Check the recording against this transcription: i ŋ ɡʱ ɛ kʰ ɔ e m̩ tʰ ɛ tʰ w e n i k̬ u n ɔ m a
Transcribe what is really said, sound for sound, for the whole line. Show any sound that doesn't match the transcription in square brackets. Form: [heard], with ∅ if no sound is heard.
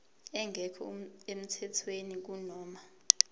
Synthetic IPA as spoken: [ɛ] ŋ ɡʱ ɛ kʰ ɔ e m̩ tʰ ɛ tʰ w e n i k̬ u n [ɔː] m a